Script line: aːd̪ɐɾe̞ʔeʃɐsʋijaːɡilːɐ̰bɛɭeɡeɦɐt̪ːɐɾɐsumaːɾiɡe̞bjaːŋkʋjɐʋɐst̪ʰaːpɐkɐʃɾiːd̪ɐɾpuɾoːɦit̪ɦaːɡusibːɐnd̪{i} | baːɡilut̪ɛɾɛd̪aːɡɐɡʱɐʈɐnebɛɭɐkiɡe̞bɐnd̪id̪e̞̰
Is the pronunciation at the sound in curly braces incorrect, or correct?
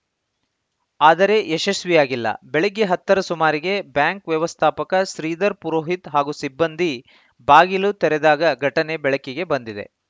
correct